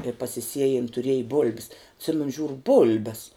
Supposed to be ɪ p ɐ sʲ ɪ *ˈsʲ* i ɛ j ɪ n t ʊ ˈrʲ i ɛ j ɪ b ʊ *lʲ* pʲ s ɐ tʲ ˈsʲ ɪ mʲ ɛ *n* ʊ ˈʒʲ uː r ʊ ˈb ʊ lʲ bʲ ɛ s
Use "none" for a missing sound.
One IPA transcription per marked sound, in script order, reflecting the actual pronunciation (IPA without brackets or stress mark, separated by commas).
sʲ, lʲ, n